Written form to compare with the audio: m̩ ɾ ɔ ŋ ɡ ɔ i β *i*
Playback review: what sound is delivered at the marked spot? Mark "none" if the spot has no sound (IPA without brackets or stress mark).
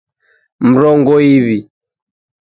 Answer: i